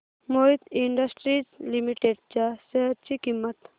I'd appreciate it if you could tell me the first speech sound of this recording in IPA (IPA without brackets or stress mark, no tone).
m